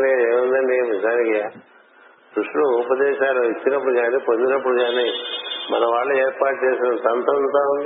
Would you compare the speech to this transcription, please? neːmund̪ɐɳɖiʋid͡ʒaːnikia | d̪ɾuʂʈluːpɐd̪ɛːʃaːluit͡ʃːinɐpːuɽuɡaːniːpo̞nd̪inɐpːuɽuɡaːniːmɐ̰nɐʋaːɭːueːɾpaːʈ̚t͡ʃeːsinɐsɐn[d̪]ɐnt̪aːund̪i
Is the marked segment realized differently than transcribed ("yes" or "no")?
yes